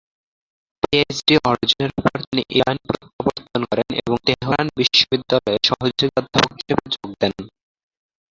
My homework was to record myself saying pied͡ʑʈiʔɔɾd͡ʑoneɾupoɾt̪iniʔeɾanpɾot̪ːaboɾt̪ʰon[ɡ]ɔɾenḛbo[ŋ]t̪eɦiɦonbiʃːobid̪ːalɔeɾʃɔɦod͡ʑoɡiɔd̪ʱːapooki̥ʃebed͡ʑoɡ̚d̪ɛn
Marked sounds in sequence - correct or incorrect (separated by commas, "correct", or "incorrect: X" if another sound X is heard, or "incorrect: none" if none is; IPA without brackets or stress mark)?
incorrect: k, correct